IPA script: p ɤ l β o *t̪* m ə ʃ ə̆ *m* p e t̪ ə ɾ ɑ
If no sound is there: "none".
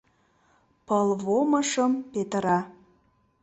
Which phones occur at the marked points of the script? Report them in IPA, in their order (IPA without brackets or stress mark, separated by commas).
none, m